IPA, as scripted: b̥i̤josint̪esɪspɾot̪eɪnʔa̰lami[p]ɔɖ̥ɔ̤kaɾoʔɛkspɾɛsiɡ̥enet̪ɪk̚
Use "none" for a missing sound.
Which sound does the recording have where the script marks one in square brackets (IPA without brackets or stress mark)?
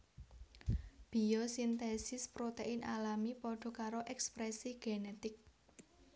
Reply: p